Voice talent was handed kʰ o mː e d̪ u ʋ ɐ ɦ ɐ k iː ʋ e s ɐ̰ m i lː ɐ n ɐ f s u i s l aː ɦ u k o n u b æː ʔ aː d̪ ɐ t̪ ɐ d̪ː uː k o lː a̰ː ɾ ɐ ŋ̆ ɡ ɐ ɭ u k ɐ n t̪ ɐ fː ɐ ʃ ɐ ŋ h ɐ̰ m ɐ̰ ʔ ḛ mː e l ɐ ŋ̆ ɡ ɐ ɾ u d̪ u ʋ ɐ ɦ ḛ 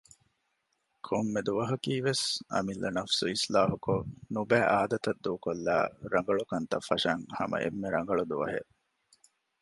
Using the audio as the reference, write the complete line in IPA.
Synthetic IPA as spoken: kʰ o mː e d̪ u ʋ ɐ ɦ ɐ k iː ʋ e s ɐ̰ m i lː ɐ n ɐ f s u i s l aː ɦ u k o n u b æː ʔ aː d̪ ɐ t̪ ɐ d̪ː uː k o lː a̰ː ɾ ɐ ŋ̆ ɡ ɐ ɭ u k ɐ n t̪ ɐ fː ɐ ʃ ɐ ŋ h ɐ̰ m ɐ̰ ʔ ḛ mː e ɾ ɐ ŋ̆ ɡ ɐ ɭ u d̪ u ʋ ɐ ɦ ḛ